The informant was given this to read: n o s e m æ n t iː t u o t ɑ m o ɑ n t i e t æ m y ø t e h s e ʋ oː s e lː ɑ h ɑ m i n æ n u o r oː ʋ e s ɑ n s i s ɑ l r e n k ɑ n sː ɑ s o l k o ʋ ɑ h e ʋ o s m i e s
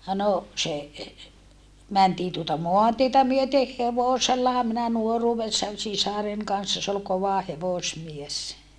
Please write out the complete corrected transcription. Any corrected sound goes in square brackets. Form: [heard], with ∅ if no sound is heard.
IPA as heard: n o s e m æ n t iː t u o t ɑ m o ɑ n t i e t æ m y ø t e h [h] e ʋ [o] s e lː ɑ h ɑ m i n æ n u o r [uː] ʋ e [sː] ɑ n s i s ɑ [∅] r e n k ɑ n sː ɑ s o l k o ʋ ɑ h e ʋ o s m i e s

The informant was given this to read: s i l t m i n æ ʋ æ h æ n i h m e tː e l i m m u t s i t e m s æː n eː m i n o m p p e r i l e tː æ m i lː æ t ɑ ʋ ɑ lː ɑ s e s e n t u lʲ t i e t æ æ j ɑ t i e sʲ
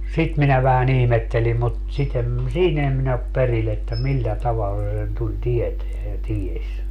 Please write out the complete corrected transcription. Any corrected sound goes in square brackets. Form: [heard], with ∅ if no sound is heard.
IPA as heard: s i [∅] t m i n æ ʋ æ h æ n i h m e tː e l i m m u t s i t e m s [iː] n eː m i n o [∅] p p e r i l e tː æ m i lː æ t ɑ ʋ ɑ lː ɑ s e s e n t u lʲ t i e t [e] æ j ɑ t i e sʲ

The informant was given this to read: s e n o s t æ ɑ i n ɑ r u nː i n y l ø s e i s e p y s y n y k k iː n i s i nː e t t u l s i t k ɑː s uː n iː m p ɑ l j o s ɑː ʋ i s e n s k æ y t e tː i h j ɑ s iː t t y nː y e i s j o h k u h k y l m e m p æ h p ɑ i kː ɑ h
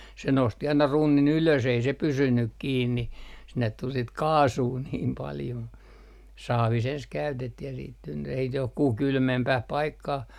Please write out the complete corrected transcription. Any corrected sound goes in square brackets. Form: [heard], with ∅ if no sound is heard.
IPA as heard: s e n o s t [i] ɑ i n ɑ r u nː i n y l ø s e i s e p y s y n y k k iː [nː] i s i nː e t t u l s i t k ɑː s uː n iː m p ɑ l j o s ɑː ʋ i s e n s k æ y t e tː i h j ɑ s iː t t y nː y e i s j o h k u h k y l m e m p æ h p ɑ i kː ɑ h

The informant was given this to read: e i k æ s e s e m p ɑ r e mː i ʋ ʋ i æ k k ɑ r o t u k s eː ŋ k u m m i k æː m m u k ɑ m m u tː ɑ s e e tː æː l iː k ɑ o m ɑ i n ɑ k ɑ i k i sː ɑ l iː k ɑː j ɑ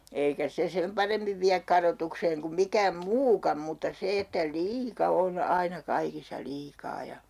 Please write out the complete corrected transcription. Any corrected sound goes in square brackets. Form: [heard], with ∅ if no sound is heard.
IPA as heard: e i k æ s e s e m p ɑ r e mː i ʋ ʋ i æ k k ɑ r o t u k s eː ŋ k u m m i k æː m m [uː] k ɑ m m u tː ɑ s e e tː [æ] l iː k ɑ o [n] ɑ i n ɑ k ɑ i k i sː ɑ l iː k ɑː j ɑ

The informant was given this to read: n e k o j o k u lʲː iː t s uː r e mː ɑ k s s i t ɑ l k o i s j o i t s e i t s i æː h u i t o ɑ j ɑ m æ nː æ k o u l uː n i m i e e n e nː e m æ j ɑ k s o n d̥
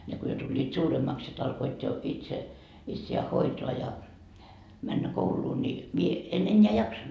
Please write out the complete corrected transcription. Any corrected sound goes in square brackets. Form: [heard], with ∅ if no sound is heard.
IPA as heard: n e k o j o [t] u lʲː iː t s uː r e mː ɑ k s s i t ɑ l k o i [t] j o i t s e i t s i æː h [o] i t o ɑ j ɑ m æ nː æ k o u l uː n i m i e e n e nː e [∅] æ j ɑ k s o n d̥

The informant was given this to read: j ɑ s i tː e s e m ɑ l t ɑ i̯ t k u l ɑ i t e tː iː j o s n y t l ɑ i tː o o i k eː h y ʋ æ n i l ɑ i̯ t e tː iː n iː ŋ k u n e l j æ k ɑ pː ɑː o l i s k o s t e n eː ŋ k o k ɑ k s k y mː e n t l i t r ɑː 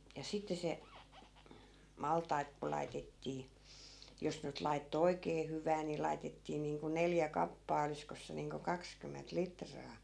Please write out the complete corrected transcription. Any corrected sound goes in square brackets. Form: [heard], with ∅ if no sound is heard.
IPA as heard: j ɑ s i tː e s e m ɑ l t ɑ i̯ t k u l ɑ i t e tː iː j o s n y t l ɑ i tː o o i k eː h y ʋ [æː] n i l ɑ i̯ t e tː iː n iː ŋ k u n e l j æ k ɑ pː ɑː o l i s k o s [s] e n [iː] ŋ k o k ɑ k s k y mː e n t l i t r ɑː

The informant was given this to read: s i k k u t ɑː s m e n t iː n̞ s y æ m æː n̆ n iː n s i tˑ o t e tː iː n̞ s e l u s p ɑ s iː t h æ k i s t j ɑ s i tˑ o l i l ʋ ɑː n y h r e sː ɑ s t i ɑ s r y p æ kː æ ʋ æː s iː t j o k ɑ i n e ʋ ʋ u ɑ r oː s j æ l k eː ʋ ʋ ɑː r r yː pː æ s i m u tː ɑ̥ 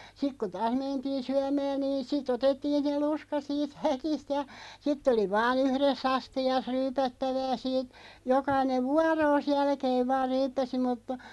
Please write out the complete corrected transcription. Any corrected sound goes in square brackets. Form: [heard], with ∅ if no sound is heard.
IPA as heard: s i k k u t ɑː s m e n t iː n̞ s y æ m æː n̆ n iː n s i tˑ o t e tː iː n̞ s e l u s [k] ɑ s iː t h æ k i s t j ɑ s i tˑ o l i [∅] ʋ ɑː n y h r e sː ɑ s t i ɑ s r [yː] p æ [tː] æ ʋ æː s iː t j o k ɑ i n e ʋ ʋ u ɑ r oː s j æ l k eː ʋ ʋ ɑː r r yː pː æ s i m u tː ɑ̥

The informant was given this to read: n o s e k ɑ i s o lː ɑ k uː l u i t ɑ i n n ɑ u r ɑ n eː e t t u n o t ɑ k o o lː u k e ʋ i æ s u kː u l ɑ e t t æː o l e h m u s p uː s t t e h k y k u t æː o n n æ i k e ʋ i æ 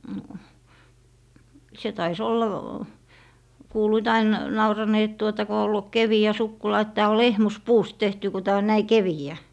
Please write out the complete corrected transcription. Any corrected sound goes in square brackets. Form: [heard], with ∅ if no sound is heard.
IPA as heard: n o s e [t] ɑ i s o lː ɑ k uː l u i t ɑ i n n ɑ u r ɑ n eː e t t u [∅] o t ɑ k o o lː u k e ʋ i æ s u kː u l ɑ e t t æː o l e h m u s p uː s t t e h [t] y k u t æː o n n æ i k e ʋ i æ

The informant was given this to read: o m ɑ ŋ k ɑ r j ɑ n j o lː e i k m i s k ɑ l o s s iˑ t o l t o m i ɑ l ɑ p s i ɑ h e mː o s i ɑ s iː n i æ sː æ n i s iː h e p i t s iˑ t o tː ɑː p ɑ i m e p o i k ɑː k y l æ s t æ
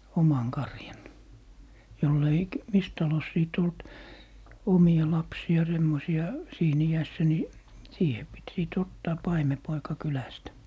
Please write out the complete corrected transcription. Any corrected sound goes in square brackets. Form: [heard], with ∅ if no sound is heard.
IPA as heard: o m ɑ ŋ k ɑ r j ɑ n j o lː e i k m i s [t] ɑ l o s s iˑ t o l t o m i ɑ l ɑ p s i ɑ [s] e mː o s i ɑ s iː n i æ sː æ n i s iː h e p i t s iˑ t o tː ɑː p ɑ i m e p o i k [ɑ] k y l æ s t æ

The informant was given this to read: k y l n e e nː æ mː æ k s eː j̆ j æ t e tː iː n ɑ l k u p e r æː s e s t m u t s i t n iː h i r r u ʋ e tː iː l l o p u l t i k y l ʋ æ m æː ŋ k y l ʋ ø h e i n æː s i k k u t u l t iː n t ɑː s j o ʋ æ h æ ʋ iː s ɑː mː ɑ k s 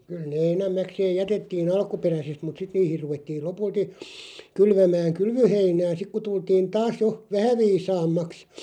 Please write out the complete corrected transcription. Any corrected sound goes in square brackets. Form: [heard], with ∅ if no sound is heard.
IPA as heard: k y l n e e [n] æ mː æ k s eː j̆ j æ t e tː iː n ɑ l k u p e r [æ] s e s t m u t s i t n iː h i r r u ʋ e tː iː l l o p u l t i k y l ʋ æ m æː ŋ k y l ʋ ø h e i n æː s i k k u t u l t iː n t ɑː s j o ʋ æ h æ ʋ iː s ɑː mː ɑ k s

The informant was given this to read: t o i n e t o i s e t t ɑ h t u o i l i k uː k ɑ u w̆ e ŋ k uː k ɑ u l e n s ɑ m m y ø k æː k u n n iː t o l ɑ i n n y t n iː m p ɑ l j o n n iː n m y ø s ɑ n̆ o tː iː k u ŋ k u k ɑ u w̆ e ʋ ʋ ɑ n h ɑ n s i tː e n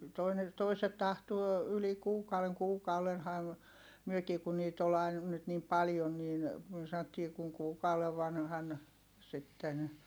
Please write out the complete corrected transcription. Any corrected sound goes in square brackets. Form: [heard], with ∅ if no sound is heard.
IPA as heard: t o i n e t o i s e t t ɑ h t u o [y] l i k uː k ɑ u w̆ e ŋ k uː k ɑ u l e n [h] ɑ m m y ø k [iː] k u n n iː t o l ɑ i n n y t n iː m p ɑ l j o n n iː n m y ø s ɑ n̆ o tː iː k u ŋ k [uː] k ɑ u w̆ e ʋ ʋ ɑ n h ɑ n s i tː e n

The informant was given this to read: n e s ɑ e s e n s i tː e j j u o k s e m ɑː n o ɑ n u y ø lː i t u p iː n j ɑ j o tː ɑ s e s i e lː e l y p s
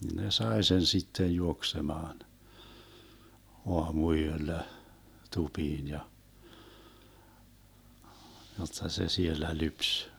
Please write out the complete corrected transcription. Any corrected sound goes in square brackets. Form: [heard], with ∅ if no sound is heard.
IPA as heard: n e s ɑ e s e n s i tː e j j u o k s e m ɑː n o ɑ [m] u y ø lː [æ] t u p iː n j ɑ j o tː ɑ s e s i e lː [æ] l y p s

